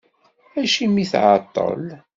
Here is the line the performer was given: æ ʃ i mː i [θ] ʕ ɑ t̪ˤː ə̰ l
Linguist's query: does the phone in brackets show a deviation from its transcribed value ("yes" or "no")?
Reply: no